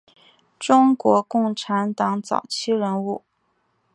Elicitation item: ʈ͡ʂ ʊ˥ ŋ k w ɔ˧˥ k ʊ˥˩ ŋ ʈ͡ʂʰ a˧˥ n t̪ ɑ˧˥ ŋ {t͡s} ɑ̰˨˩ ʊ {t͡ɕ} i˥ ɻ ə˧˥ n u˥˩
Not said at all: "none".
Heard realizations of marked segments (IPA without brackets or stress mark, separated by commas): t͡s, t͡ɕʰ